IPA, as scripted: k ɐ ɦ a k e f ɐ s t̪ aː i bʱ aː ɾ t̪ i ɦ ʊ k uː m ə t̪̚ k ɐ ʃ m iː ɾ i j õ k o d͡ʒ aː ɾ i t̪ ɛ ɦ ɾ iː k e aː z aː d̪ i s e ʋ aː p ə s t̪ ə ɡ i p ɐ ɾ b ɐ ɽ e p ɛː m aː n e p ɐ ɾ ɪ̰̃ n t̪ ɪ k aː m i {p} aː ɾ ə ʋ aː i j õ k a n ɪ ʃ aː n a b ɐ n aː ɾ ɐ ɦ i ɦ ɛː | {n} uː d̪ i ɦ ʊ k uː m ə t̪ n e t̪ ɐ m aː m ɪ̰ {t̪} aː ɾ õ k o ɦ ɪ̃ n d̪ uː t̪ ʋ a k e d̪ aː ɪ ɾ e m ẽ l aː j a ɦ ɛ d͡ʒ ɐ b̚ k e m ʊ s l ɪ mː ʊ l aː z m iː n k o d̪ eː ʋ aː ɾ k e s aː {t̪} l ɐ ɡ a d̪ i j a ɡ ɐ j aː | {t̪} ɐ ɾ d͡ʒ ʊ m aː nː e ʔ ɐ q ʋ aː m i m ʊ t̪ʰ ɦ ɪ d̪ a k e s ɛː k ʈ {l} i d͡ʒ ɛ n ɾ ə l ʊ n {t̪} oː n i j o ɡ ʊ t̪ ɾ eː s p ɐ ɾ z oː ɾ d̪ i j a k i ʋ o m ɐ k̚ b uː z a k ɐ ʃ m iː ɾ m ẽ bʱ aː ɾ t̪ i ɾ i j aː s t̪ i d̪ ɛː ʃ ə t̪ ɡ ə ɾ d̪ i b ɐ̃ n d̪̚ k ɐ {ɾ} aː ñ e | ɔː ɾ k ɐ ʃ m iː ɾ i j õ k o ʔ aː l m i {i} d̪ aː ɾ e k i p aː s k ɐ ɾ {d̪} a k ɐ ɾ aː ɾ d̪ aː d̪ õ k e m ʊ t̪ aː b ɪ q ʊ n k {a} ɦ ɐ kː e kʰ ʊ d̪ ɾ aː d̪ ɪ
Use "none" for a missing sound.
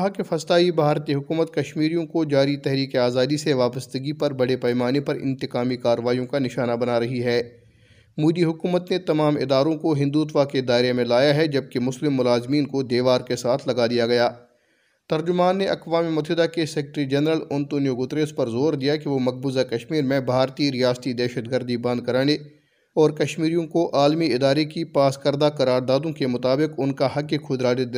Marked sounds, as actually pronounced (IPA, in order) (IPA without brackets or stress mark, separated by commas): k, m, d̪, t̪ʰ, t̪, ɾ, t̪, ɾ, ɪ, d̪, a